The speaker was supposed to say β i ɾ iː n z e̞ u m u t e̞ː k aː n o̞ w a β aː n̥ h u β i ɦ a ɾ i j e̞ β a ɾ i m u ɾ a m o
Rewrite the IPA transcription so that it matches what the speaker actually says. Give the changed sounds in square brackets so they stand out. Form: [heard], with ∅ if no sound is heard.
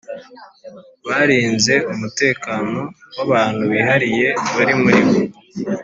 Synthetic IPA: β [a] ɾ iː n z e̞ u m u t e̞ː k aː n o̞ w a β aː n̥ h u β i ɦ a ɾ i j e̞ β a ɾ i m u ɾ [i] m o